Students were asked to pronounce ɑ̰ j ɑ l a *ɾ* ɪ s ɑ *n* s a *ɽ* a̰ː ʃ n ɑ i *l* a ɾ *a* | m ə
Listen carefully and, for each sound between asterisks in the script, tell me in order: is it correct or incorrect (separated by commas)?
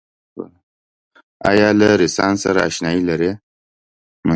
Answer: correct, correct, incorrect, correct, incorrect